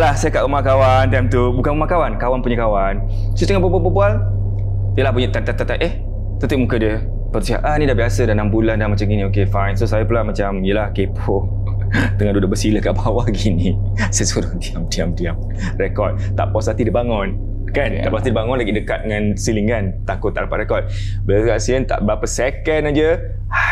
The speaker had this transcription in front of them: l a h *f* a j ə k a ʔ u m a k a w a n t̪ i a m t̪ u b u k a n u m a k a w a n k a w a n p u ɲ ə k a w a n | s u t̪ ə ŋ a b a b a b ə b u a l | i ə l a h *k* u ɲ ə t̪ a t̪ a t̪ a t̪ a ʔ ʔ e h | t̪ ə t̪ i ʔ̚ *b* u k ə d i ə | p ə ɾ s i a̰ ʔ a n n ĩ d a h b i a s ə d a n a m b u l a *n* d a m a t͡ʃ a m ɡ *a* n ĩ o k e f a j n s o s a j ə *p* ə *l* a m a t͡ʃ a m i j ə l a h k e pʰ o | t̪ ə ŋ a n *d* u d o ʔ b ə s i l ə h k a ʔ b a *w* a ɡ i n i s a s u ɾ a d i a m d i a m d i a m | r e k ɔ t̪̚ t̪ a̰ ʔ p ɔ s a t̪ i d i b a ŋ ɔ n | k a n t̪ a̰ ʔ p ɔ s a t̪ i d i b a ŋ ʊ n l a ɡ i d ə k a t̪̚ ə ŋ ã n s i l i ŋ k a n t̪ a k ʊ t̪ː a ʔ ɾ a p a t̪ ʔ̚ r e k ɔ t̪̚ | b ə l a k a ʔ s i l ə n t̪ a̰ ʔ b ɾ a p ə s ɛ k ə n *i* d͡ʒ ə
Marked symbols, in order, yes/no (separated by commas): no, no, no, yes, no, yes, yes, yes, yes, no